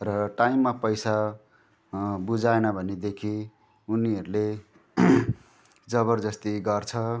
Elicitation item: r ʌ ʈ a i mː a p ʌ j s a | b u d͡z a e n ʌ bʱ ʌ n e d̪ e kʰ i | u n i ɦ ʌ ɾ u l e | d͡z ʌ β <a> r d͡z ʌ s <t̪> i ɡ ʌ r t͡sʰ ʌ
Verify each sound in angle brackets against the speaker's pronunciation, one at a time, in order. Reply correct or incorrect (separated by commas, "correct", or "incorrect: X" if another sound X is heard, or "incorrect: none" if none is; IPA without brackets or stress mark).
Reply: incorrect: ʌ, correct